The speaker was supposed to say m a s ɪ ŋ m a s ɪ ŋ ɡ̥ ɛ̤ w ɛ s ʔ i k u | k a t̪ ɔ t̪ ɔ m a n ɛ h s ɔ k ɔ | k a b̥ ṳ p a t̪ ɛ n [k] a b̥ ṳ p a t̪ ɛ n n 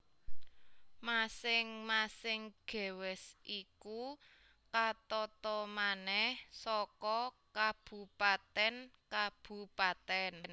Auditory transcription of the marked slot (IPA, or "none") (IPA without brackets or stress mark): k